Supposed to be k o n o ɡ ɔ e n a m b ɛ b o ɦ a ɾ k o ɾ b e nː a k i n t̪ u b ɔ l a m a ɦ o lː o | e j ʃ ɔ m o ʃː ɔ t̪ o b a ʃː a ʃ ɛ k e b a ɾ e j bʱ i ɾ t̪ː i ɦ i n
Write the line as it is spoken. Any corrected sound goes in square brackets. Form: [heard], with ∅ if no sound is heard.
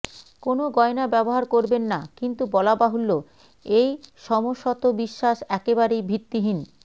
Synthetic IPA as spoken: k o n o ɡ ɔ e n a [∅] b ɛ b o ɦ a ɾ k o ɾ b e nː a k i n t̪ u b ɔ l a [b] a ɦ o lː o | e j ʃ ɔ m o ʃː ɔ t̪ o b [i] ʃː a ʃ ɛ k e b a ɾ e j bʱ i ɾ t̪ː i ɦ i n

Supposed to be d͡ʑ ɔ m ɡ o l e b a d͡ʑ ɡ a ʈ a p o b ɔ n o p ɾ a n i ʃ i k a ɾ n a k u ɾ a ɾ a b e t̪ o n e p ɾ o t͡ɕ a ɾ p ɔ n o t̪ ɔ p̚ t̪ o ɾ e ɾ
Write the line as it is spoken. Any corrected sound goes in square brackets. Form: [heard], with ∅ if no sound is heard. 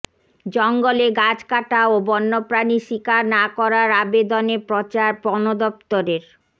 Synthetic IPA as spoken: d͡ʑ ɔ [ŋ] ɡ o l e [ɡ] a d͡ʑ [k] a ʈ a [∅] o b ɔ [nː] o p ɾ a n i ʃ i k a ɾ n a k [ɔ] ɾ a ɾ a b e [d̪] o n e p ɾ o t͡ɕ a ɾ p ɔ n o [d̪] ɔ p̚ t̪ o ɾ e ɾ

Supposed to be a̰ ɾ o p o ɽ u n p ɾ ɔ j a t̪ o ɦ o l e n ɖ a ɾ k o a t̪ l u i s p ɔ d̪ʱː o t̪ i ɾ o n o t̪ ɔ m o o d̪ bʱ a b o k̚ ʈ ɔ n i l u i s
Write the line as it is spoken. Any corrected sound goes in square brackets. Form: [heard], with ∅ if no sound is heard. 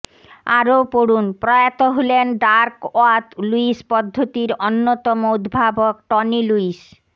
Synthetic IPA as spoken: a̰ ɾ o p o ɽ u n p ɾ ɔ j a t̪ o ɦ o l e n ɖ a ɾ k o a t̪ l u i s p ɔ d̪ʱː o t̪ i ɾ o [nː] o t̪ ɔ m o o d̪ bʱ a b o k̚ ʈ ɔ n i l u i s

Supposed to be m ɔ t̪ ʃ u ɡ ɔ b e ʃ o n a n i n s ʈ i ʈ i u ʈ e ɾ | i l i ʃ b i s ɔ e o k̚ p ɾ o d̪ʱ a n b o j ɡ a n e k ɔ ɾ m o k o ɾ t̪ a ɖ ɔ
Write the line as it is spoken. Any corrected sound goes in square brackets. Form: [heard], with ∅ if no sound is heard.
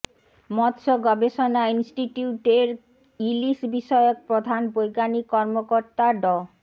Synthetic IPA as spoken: m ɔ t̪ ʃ [o] ɡ ɔ b e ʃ o n a [∅] i n s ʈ i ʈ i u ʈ e ɾ | i l i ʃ b i [ʃ] ɔ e o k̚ p ɾ o d̪ʱ a n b o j ɡ a n [i] k ɔ ɾ m o k o ɾ t̪ a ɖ ɔ

